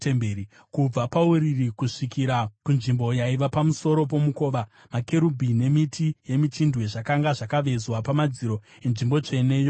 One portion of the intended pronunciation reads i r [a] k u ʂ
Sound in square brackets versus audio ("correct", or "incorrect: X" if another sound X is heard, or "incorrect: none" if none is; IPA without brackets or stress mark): incorrect: i